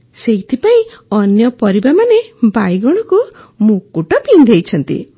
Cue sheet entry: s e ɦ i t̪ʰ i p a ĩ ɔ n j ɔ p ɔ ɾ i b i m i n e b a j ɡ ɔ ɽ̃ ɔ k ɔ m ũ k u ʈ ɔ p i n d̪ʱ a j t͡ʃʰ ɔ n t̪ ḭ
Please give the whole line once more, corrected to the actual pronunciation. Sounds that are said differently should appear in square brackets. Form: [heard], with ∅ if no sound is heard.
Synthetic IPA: s e ɦ i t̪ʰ i p a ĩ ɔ n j ɔ p ɔ ɾ i b [a] m [a] n e b a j ɡ ɔ ɽ̃ ɔ k [u] m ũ k u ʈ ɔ p i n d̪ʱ [e] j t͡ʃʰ ɔ n t̪ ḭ